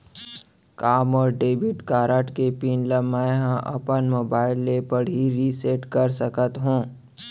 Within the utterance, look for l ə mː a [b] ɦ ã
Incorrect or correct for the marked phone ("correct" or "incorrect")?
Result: incorrect